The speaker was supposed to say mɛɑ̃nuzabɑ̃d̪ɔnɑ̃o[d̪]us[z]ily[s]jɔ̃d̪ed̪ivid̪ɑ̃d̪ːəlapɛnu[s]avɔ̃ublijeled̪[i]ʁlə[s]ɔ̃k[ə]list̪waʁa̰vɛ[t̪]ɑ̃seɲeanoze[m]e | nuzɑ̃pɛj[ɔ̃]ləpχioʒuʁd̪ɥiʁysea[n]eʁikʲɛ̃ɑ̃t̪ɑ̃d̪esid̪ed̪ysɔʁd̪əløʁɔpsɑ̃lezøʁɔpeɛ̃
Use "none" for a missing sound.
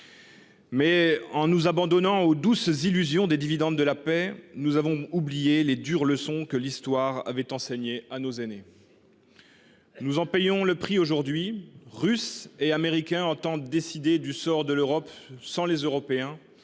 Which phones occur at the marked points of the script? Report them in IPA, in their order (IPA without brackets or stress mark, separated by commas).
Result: d̪, z, z, z, y, s, ə, t̪, n, ɔ̃, m